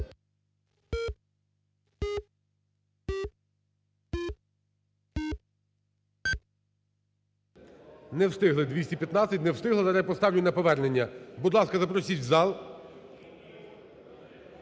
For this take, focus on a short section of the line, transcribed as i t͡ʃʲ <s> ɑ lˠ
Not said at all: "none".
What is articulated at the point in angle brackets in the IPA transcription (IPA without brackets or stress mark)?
z